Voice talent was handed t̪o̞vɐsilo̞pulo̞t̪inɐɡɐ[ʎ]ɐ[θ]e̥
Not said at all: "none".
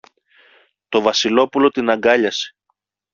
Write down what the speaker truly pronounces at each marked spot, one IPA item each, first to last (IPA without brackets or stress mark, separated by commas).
ʎ, s